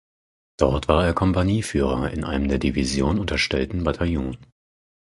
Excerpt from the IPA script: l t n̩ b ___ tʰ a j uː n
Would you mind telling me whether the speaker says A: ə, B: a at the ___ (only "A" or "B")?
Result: B